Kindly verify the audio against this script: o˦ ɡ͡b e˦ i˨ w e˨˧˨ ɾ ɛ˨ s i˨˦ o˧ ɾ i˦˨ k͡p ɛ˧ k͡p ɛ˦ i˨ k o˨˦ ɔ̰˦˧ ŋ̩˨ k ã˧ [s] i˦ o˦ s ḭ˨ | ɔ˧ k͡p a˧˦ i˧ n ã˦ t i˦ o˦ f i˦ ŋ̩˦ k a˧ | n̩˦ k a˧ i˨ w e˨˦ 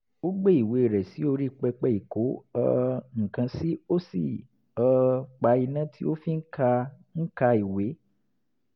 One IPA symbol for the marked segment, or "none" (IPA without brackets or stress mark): s